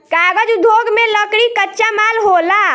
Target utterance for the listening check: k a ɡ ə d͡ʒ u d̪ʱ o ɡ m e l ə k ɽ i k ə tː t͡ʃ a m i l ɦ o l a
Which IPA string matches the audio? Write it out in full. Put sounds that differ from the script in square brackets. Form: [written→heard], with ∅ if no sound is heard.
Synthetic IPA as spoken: k a ɡ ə d͡ʒ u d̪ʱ o ɡ m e l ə k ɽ i k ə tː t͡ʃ a m [i→a] l ɦ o l a